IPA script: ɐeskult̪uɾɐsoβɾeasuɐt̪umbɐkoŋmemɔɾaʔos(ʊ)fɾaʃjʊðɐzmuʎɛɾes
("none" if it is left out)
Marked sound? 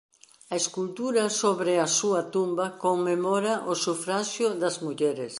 u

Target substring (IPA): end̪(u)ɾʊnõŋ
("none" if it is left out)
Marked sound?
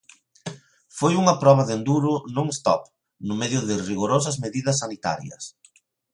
u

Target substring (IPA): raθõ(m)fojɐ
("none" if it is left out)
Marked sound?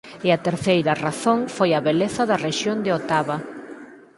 ŋ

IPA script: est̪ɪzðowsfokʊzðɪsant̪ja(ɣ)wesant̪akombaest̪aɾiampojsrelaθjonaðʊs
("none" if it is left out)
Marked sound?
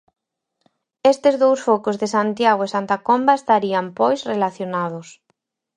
ɣ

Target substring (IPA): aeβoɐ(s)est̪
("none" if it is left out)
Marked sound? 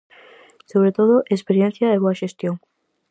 ʃ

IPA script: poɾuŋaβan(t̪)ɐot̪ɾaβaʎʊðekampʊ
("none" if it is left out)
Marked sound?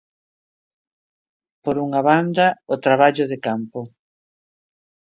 d̪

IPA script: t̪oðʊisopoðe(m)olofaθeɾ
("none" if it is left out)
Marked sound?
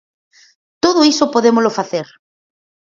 m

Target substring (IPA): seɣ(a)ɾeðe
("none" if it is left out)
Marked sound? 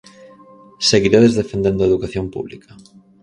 i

